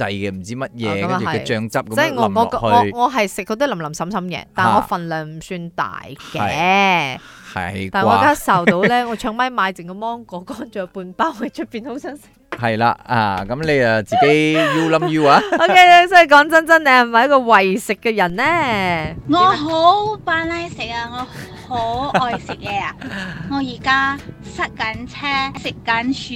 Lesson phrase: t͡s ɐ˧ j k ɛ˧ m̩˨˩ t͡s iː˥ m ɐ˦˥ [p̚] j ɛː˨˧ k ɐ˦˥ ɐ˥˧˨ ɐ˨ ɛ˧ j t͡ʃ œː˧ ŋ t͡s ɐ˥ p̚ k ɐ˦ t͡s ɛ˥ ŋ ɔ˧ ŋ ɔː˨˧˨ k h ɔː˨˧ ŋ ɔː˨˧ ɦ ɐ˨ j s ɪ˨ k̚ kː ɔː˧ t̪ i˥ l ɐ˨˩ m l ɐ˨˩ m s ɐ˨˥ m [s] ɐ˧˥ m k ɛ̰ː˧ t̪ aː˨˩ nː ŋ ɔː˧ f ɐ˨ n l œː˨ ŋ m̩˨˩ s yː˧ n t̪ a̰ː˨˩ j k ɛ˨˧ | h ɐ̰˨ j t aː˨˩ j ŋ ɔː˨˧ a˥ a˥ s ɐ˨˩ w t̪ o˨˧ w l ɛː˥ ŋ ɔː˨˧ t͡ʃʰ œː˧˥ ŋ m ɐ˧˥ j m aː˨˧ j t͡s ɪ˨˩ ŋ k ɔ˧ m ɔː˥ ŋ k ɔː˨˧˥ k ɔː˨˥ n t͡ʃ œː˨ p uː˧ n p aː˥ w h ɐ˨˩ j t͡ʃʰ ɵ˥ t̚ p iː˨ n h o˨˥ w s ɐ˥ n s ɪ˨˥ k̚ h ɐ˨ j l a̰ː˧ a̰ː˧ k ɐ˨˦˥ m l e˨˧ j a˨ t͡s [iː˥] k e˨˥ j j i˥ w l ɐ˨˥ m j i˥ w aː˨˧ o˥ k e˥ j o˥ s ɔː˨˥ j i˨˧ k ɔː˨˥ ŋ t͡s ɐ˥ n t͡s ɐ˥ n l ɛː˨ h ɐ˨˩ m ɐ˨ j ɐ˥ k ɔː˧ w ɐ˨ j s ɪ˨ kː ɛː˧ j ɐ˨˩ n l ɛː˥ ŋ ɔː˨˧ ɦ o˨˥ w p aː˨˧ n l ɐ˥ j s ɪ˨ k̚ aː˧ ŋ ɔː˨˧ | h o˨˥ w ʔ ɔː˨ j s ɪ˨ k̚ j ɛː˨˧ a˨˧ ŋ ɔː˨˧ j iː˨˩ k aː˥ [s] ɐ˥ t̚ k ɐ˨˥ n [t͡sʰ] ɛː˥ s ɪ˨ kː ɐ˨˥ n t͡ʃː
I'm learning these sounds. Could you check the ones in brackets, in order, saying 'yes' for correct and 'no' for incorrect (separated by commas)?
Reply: no, yes, no, yes, yes